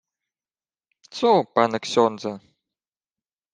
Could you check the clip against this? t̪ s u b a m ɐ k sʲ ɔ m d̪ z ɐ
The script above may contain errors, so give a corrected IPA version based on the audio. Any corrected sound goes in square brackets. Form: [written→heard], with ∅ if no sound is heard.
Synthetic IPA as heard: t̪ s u [b→p] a [m→n] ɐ k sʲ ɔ [m→n] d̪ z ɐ